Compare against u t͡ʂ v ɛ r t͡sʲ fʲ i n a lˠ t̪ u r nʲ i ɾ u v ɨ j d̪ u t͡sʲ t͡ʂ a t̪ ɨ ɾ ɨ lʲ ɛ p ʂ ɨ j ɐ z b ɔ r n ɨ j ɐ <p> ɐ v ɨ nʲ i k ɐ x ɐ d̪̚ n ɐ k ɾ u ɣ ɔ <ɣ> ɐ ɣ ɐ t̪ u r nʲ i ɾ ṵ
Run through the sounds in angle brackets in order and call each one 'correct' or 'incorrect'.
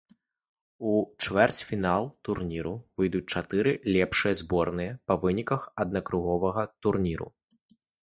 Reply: correct, incorrect

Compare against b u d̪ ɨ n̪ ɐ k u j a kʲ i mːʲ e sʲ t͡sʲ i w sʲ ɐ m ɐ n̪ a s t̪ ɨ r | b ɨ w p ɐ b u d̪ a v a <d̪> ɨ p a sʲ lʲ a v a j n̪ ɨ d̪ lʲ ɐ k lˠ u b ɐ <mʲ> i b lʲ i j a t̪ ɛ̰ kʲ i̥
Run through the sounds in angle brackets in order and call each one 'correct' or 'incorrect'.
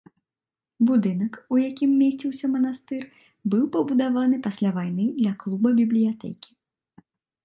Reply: incorrect, incorrect

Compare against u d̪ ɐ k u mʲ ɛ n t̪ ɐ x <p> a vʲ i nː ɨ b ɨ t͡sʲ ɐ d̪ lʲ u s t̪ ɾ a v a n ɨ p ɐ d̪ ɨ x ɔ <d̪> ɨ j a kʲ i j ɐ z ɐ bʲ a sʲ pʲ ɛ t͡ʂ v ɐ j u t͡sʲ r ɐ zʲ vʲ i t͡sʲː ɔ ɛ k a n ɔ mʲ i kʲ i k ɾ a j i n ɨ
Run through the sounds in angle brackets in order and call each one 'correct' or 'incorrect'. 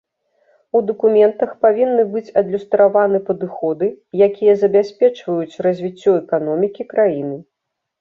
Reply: correct, correct

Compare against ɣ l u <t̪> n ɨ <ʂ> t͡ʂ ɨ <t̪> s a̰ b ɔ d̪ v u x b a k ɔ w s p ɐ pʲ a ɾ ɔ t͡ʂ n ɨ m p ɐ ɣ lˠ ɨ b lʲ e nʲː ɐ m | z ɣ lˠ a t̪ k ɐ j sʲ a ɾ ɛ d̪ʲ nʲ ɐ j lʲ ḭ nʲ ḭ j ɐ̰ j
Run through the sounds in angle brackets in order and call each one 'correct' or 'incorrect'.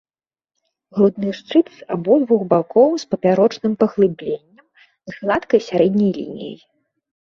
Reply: incorrect, correct, correct

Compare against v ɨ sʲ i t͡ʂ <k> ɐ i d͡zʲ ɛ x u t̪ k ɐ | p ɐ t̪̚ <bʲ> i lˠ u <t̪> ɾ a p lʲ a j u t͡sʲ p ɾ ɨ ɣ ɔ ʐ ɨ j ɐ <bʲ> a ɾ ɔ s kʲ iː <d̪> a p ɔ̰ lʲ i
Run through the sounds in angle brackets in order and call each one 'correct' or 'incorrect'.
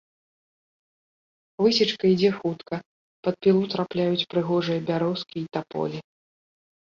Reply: correct, incorrect, correct, correct, incorrect

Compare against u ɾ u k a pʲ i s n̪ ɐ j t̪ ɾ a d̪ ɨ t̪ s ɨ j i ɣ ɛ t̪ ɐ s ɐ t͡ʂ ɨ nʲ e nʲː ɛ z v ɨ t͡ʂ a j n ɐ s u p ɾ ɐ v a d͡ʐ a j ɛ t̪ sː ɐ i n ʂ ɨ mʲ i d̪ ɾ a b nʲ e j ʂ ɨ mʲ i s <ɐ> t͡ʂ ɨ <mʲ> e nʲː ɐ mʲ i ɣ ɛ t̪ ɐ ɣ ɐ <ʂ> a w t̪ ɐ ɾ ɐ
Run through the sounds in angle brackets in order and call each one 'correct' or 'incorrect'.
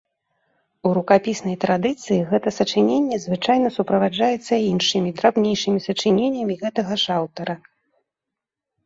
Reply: correct, incorrect, correct

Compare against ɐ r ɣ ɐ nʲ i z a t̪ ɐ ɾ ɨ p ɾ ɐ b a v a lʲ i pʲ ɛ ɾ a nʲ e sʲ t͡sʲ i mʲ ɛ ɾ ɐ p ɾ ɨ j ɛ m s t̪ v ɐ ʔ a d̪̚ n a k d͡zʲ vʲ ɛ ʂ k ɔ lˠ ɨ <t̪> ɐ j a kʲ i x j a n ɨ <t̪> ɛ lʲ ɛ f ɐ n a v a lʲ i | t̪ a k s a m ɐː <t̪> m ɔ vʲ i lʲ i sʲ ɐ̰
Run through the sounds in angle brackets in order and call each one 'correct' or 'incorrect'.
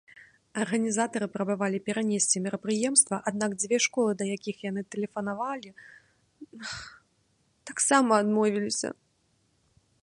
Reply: incorrect, correct, incorrect

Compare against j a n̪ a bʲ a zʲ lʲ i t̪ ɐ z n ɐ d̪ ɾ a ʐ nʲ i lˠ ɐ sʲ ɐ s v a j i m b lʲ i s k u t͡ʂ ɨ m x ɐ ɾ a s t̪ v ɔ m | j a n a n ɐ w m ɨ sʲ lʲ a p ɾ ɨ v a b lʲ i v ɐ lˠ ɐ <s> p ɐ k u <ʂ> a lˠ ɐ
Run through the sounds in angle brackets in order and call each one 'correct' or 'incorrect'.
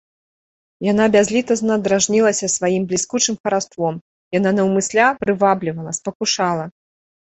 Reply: correct, correct

